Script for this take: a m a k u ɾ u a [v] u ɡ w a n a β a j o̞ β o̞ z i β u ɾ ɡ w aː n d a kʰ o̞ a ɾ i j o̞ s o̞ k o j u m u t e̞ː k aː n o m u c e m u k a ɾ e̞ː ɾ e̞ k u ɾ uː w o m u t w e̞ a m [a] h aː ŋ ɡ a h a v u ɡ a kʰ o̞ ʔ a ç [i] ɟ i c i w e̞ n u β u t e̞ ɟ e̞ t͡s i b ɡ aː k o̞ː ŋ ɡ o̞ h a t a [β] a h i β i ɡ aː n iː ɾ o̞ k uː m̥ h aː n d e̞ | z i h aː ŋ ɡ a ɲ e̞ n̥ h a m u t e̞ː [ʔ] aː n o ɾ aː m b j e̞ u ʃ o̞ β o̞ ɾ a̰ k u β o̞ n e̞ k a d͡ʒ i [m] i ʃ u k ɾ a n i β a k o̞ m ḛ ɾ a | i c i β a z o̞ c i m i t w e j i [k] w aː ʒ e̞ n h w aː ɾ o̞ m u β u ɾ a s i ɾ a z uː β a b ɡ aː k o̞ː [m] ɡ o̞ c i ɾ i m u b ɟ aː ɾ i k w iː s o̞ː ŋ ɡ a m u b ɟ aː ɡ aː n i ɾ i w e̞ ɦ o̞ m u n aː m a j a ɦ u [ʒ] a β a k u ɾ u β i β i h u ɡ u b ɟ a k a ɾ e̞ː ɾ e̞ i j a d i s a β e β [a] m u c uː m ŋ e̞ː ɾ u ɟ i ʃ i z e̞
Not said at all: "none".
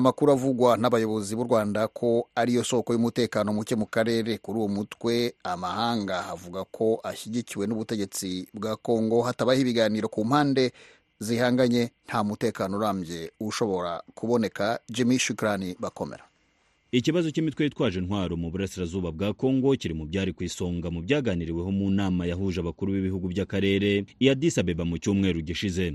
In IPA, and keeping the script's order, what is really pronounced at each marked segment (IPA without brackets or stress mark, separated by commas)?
v, a, i, β, k, m, t, ŋ, ʒ, a